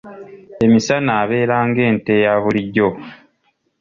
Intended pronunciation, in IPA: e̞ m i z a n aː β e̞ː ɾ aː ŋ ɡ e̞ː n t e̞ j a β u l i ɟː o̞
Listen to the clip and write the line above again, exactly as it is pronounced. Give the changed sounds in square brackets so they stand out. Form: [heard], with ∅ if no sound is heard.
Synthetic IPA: e̞ m i [s] a n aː β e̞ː ɾ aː ŋ ɡ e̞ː n t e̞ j a β u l i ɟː o̞

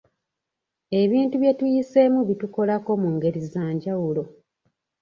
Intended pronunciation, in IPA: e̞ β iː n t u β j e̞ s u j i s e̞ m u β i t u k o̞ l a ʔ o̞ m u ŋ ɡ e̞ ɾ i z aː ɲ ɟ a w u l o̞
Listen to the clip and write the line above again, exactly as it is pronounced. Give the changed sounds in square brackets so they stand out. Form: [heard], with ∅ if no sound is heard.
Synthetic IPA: e̞ β iː n t u β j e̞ [t] u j i s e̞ m u β i t u k o̞ l a [k] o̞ m u ŋ ɡ e̞ ɾ i z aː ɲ ɟ a w u l o̞

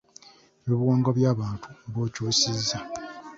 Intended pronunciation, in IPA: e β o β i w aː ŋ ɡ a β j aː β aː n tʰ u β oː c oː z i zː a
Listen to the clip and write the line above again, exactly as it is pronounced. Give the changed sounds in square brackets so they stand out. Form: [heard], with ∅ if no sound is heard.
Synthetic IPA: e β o β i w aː ŋ ɡ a β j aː β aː n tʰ u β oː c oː [s] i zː a

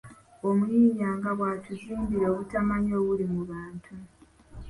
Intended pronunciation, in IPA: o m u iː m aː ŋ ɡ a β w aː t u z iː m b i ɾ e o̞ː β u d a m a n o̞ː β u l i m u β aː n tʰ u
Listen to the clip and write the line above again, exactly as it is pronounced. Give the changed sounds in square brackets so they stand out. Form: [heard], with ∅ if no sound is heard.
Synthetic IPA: o m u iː [ɲ] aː ŋ ɡ a β w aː t u z iː m b i ɾ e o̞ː β u [t] a m a [ɲ] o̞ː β u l i m u β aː n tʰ u

